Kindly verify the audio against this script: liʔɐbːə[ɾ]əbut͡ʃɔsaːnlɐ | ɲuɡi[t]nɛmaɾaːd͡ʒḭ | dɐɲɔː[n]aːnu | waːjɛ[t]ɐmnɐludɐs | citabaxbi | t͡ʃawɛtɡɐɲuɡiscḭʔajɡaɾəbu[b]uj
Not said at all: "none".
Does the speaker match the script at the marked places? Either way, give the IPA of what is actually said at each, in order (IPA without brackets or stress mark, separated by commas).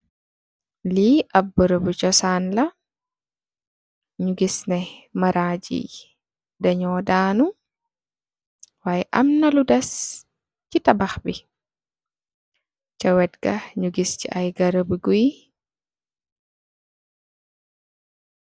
ɾ, s, d, ʔ, ɡ